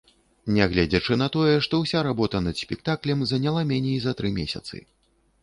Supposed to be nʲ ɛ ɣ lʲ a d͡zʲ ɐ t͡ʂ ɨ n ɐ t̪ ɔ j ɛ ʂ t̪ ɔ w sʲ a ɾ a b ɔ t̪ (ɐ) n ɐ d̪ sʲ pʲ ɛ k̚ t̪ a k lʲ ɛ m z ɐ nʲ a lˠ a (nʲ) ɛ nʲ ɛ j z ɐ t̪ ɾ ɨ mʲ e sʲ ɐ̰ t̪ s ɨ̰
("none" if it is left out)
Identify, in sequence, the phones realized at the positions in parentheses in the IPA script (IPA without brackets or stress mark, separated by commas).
ɐ, mʲ